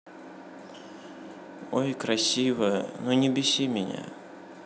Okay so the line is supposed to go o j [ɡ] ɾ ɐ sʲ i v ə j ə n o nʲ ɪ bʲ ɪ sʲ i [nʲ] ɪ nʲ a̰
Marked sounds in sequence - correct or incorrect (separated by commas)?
incorrect, incorrect